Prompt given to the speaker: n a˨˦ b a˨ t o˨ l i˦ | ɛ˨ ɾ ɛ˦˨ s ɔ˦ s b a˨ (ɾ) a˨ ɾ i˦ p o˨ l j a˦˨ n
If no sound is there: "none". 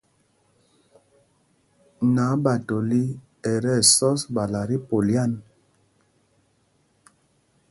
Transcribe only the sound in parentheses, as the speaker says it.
l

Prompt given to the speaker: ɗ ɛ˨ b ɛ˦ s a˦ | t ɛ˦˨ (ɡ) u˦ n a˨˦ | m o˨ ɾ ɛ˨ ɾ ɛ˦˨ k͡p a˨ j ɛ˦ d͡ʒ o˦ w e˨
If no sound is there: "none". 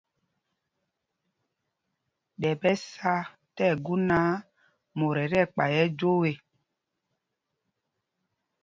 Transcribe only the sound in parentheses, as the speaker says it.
ɡ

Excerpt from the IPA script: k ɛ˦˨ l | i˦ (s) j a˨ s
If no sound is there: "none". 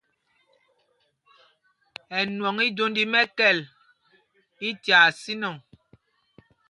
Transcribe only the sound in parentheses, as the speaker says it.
t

